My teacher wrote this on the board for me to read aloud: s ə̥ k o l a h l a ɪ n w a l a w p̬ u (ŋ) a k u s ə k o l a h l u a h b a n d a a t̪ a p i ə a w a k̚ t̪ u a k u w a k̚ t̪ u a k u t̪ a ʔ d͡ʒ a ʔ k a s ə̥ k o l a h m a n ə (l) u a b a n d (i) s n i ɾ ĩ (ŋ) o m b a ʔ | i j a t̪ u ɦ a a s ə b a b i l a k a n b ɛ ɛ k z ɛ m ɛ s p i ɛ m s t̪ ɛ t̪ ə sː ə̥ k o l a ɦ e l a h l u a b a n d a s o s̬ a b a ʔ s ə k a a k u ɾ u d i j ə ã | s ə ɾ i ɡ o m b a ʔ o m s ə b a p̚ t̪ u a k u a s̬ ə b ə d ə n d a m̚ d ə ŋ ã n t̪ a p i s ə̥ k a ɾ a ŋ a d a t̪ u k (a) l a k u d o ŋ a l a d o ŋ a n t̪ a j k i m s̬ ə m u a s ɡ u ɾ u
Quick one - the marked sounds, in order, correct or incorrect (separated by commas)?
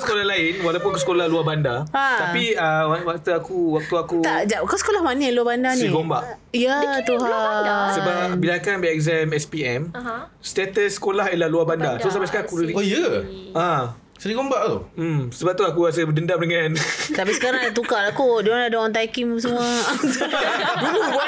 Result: incorrect, correct, incorrect, incorrect, correct